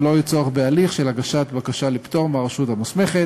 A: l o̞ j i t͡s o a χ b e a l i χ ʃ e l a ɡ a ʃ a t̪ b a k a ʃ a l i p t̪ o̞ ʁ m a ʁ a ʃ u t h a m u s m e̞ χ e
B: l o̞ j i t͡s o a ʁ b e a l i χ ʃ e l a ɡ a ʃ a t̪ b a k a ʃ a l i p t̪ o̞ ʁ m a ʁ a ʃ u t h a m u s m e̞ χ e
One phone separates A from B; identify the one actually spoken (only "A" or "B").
A